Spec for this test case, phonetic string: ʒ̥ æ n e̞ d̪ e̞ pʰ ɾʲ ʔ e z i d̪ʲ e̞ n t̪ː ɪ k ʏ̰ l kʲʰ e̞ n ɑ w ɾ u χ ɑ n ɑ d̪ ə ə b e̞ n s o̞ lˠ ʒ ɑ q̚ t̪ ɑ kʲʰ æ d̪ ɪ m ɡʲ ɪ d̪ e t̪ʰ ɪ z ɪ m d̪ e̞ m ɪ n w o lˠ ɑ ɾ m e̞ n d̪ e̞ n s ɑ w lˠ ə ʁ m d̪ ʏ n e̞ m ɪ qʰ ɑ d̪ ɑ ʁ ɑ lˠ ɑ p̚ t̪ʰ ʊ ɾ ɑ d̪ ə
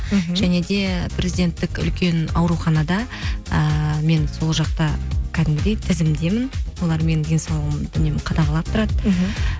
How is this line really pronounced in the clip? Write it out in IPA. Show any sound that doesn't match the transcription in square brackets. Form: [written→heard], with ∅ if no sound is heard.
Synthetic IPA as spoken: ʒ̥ æ n e̞ d̪ e̞ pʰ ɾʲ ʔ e z i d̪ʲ e̞ n t̪ː ɪ k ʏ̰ l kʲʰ e̞ n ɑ w ɾ u χ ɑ n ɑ d̪ [ə→ɑ] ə [b→m] e̞ n s o̞ lˠ ʒ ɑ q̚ t̪ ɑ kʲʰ æ d̪ ɪ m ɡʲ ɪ d̪ e t̪ʰ ɪ z ɪ m d̪ e̞ m ɪ n w o lˠ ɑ ɾ m e̞ n d̪ e̞ n s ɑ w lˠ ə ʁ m d̪ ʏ n e̞ m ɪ qʰ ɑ d̪ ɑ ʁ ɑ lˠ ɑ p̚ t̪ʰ ʊ ɾ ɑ d̪ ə